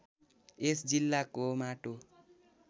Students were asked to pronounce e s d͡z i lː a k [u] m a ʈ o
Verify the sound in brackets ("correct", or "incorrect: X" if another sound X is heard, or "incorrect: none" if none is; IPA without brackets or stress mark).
incorrect: o